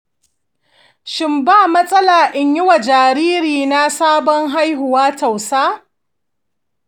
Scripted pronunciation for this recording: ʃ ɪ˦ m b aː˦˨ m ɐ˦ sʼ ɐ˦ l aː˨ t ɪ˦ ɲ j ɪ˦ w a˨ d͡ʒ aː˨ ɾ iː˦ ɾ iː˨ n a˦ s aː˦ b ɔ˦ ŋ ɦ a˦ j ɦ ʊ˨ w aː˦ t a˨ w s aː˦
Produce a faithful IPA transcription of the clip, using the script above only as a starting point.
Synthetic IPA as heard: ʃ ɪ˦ m b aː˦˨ m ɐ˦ sʼ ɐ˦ l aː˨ ʔ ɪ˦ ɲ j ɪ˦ w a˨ d͡ʒ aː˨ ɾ iː˦ ɾ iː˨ n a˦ s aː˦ b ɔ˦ ŋ ɦ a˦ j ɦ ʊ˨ w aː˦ t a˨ w s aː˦